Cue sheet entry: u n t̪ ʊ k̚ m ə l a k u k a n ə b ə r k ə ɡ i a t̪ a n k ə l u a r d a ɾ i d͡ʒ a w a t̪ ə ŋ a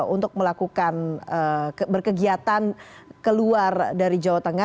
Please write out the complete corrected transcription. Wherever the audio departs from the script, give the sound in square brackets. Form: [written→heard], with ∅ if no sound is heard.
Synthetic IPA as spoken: u n t̪ ʊ k̚ m ə l a k u k a n ə b ə r k ə ɡ i a t̪ a n k ə l u a r d a ɾ i d͡ʒ a w a t̪ ə ŋ a